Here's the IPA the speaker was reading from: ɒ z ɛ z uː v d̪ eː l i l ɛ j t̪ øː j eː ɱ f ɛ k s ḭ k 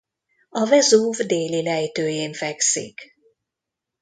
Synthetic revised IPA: ɒ v ɛ z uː v d̪ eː l i l ɛ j t̪ øː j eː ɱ f ɛ k s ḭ k